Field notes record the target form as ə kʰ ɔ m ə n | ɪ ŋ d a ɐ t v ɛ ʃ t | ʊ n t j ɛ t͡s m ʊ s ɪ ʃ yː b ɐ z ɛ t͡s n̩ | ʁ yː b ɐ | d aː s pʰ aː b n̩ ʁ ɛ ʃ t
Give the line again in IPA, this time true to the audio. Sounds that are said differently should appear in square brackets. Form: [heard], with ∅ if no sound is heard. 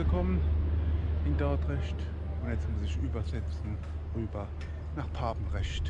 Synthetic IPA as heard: ə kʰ ɔ m ə n | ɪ [n] d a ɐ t [ʁ] ɛ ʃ t | ʊ n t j ɛ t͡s m ʊ s ɪ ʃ yː b ɐ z ɛ t͡s n̩ | ʁ yː b ɐ | [n] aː [χ] pʰ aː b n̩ ʁ ɛ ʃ t